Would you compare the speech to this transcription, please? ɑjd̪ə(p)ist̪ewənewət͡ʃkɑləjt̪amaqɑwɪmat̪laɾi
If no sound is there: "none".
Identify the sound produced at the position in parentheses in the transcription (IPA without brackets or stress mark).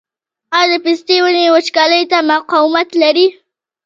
p